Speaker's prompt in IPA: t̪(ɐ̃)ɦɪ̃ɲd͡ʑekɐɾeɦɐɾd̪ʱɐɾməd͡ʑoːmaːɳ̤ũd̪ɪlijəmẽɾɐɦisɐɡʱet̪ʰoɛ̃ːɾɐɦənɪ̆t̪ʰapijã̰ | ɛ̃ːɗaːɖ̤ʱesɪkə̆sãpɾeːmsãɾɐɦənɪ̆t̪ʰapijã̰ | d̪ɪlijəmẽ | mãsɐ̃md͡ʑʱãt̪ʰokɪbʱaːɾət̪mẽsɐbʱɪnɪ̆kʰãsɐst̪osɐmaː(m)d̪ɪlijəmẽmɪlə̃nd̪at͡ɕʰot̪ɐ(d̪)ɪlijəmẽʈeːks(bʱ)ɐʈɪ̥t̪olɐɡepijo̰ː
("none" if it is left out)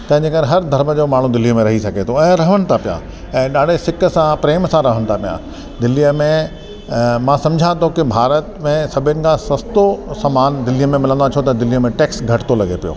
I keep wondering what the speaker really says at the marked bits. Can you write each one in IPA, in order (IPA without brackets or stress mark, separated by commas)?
ɐ̃, n, d̪, ɡʱ